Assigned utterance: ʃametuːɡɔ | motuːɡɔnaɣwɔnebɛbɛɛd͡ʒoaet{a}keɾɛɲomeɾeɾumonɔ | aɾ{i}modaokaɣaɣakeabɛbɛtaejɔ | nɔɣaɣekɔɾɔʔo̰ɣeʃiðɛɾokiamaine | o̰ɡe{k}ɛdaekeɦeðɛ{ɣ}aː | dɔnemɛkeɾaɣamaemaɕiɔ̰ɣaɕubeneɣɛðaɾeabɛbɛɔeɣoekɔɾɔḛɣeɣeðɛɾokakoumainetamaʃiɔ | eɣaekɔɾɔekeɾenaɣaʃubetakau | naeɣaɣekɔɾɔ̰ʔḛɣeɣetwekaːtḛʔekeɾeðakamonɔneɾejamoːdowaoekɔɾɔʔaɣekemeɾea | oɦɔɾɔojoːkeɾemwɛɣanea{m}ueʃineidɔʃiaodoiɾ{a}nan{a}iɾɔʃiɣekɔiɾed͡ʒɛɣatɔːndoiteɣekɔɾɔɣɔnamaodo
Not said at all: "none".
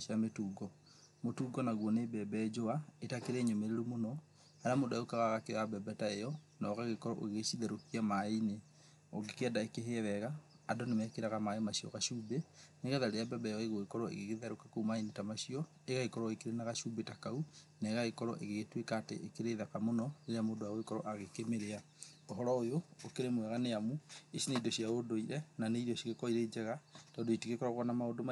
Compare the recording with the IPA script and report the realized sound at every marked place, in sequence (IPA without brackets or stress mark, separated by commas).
a, a, k, ɣ, m, ɛ, e